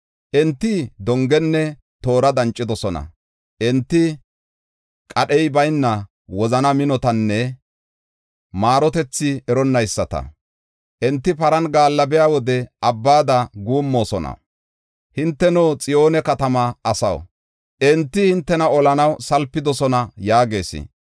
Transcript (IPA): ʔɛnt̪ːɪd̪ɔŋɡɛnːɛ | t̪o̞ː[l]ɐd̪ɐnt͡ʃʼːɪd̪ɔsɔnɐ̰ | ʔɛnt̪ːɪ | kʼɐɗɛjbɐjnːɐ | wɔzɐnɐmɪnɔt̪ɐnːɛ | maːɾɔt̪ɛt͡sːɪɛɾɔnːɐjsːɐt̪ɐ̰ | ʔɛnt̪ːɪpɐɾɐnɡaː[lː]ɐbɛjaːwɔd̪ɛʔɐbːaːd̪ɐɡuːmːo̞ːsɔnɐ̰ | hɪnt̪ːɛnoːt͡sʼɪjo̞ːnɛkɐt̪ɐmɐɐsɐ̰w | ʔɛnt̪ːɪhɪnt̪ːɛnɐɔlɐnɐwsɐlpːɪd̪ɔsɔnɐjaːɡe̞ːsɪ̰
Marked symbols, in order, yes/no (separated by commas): no, yes